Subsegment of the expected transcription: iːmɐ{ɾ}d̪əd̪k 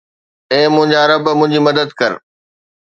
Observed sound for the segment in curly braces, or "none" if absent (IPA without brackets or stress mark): none